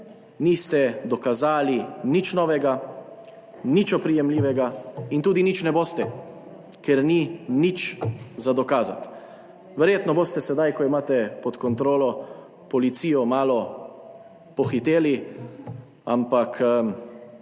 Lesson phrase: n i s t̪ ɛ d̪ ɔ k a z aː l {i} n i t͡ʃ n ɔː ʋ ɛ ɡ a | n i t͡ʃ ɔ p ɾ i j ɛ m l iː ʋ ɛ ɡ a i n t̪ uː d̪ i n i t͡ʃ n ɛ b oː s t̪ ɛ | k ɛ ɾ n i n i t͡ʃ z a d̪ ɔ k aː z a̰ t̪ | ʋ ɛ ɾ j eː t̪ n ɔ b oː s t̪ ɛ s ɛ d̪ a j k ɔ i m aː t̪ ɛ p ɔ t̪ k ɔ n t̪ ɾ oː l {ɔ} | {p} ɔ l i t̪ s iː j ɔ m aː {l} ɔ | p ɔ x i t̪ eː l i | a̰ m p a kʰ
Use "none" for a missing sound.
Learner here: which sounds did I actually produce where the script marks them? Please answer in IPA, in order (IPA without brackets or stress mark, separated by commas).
i, ɔ, p, l